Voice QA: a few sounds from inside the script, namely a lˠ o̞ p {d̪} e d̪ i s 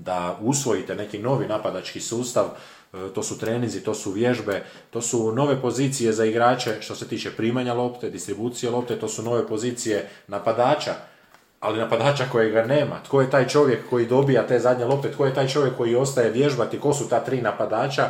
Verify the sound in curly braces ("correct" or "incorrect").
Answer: incorrect